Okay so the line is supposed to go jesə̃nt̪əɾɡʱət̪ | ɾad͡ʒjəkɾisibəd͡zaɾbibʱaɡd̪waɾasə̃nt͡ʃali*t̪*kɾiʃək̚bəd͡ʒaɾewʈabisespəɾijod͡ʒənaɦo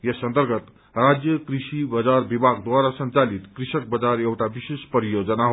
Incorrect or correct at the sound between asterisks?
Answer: correct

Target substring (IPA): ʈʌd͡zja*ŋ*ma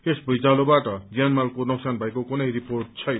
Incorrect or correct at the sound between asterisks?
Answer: incorrect: n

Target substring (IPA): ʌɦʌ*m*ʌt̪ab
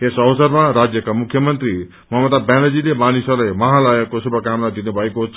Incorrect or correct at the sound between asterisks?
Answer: correct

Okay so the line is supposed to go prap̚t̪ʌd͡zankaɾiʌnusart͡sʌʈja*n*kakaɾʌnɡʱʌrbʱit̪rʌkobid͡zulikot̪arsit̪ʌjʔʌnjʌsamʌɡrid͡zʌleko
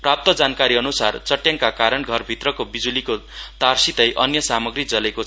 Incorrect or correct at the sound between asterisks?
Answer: incorrect: ŋ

